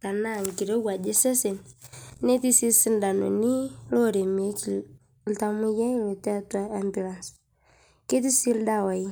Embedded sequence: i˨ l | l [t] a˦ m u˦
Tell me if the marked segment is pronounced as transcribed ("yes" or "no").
yes